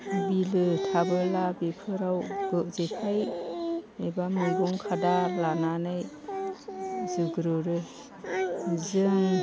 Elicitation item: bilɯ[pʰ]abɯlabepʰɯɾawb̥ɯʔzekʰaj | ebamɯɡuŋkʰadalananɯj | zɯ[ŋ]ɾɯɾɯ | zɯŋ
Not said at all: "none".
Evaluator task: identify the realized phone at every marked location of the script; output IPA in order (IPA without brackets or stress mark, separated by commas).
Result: tʰ, ɡ